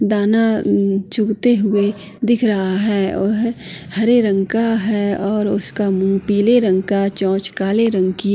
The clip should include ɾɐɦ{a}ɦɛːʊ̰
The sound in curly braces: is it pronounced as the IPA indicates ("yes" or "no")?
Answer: yes